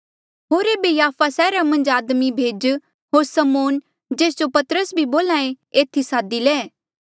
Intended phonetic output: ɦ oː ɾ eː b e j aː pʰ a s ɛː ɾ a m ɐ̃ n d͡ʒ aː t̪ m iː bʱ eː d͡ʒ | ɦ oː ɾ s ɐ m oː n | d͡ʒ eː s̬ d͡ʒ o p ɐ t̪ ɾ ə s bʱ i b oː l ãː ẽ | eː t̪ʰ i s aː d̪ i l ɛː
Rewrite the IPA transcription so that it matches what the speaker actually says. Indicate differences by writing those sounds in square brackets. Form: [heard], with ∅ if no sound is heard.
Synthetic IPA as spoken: ɦ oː ɾ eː b e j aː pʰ a s ɛː ɾ a m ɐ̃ n d͡ʒ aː [d̪] m [i] bʱ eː d͡ʒ | ɦ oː ɾ s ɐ m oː n | d͡ʒ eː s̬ d͡ʒ o p ɐ t̪ ɾ ə s bʱ i b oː l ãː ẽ | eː t̪ʰ i s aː d̪ i l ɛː